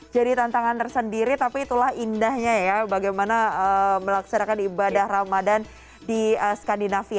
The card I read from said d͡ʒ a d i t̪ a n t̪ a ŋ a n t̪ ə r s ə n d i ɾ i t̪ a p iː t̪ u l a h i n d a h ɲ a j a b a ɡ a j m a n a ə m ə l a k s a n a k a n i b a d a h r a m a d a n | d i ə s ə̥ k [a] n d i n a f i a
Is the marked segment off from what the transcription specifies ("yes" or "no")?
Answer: no